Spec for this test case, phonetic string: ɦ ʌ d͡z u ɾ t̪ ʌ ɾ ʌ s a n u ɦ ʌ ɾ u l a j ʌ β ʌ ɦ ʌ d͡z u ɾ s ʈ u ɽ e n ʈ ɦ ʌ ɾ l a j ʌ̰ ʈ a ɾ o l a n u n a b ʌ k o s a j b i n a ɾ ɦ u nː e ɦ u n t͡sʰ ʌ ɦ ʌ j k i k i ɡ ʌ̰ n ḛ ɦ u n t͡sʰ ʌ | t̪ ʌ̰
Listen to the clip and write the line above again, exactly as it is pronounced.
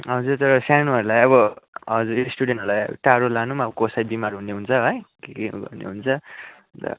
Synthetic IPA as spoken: ɦ ʌ d͡z u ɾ t̪ ʌ ɾ ʌ s a n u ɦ ʌ ɾ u l a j ʌ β ʌ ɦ ʌ d͡z u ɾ s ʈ u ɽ e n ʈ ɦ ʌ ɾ l a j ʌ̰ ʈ a ɾ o l a n u m a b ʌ k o s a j b i m a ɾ ɦ u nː e ɦ u n t͡sʰ ʌ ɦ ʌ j k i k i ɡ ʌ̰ n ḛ ɦ u n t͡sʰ ʌ | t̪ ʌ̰